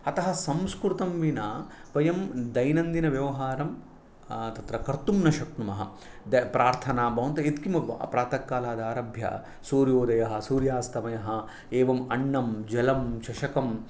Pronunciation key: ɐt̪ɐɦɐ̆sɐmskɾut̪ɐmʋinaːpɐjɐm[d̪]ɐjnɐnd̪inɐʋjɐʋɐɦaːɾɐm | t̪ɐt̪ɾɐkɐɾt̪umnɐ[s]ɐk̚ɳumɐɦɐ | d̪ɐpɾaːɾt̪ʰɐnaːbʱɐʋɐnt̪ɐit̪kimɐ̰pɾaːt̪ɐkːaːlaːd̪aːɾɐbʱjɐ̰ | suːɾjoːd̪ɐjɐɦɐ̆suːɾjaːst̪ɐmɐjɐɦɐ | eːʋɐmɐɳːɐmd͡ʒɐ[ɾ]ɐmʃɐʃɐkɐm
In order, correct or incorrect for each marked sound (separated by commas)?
correct, incorrect, incorrect